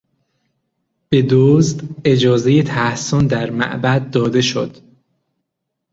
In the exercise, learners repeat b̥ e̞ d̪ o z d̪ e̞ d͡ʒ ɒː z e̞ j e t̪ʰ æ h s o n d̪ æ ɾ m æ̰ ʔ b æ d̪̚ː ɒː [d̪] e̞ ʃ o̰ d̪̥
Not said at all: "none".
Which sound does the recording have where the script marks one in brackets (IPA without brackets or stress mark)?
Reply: d̪